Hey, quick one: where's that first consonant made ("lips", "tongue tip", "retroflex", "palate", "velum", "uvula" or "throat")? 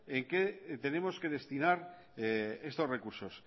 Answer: velum